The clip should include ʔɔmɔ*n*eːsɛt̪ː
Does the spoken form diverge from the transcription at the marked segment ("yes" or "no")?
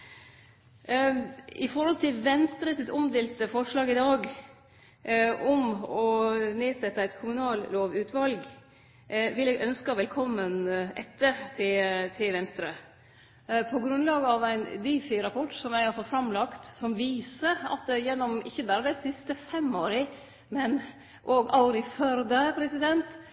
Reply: no